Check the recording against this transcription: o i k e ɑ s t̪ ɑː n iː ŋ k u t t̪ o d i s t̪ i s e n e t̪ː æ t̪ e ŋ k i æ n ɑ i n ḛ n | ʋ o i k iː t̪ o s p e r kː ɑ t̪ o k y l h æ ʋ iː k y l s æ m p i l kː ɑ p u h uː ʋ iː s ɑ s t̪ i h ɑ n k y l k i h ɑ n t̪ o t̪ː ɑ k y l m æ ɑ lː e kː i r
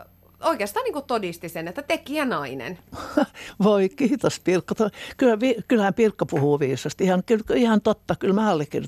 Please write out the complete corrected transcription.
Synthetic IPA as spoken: o i k e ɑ s t̪ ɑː n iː ŋ k u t t̪ o d i s t̪ i s e n e t̪ː æ t̪ e k i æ n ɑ i n ḛ n | ʋ o i k iː t̪ o s p i r kː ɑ t̪ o k y l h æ ʋ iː k y l h æ m p i r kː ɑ p u h uː ʋ iː s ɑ s t̪ i h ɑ n k y l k i h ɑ n t̪ o t̪ː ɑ k y l m æ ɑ lː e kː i r